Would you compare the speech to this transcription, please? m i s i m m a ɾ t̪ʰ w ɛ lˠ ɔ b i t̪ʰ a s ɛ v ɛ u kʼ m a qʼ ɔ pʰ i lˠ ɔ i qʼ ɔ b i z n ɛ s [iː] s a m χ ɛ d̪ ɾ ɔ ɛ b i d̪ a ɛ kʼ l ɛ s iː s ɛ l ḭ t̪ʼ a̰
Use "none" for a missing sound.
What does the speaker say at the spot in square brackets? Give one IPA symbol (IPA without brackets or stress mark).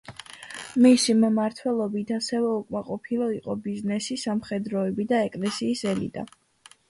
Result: i